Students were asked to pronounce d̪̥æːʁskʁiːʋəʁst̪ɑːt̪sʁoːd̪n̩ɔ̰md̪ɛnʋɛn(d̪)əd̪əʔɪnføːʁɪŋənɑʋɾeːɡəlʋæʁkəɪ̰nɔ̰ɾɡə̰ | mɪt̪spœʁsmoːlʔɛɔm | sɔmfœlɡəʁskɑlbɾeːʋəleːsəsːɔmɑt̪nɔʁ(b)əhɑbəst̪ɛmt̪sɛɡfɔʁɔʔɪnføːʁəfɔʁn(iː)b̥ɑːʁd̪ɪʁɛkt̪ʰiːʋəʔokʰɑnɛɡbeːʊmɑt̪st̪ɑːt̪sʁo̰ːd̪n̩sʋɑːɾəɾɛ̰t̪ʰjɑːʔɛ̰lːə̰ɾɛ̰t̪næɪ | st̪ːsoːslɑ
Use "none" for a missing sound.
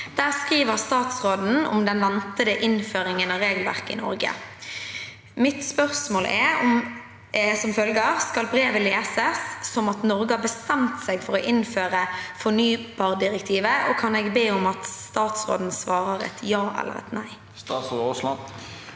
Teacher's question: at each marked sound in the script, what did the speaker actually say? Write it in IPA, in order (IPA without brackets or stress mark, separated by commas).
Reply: t̪, ɡ, yː